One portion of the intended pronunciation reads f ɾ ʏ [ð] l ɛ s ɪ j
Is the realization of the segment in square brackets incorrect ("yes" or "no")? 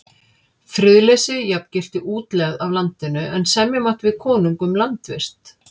no